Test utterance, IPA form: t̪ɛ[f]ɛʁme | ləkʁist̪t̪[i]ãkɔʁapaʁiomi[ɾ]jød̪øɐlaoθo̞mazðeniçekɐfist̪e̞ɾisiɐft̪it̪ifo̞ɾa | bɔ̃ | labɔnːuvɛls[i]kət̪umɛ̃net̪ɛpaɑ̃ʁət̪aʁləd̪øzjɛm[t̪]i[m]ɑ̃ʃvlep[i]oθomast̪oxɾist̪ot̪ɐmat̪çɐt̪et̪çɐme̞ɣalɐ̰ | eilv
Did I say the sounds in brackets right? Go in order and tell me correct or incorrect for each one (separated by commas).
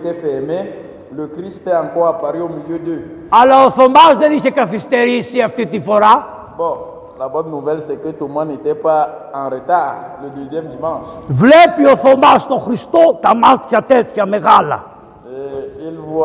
correct, incorrect, incorrect, incorrect, incorrect, correct, correct